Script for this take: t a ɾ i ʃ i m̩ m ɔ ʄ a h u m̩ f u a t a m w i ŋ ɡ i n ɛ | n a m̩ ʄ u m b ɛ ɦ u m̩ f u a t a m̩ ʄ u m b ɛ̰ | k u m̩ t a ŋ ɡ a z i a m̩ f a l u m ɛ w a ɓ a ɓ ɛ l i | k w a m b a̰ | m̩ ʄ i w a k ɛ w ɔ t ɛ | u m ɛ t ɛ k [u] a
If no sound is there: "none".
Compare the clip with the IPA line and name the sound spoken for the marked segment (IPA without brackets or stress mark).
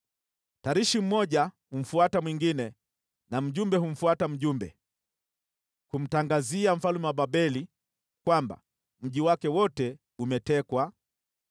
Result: w